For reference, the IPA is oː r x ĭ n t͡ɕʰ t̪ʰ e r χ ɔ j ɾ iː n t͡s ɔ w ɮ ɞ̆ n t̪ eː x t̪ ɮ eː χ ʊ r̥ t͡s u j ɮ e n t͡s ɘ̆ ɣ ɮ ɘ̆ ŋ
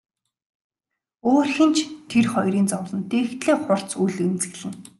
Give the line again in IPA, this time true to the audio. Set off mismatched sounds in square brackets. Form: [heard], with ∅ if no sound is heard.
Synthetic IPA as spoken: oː r x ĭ n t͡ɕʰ t̪ʰ e r χ ɔ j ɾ iː n t͡s ɔ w ɮ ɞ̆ n t̪ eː x t̪ ɮ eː χ ʊ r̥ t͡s u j ɮ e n t͡s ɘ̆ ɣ ɮ ɘ̆ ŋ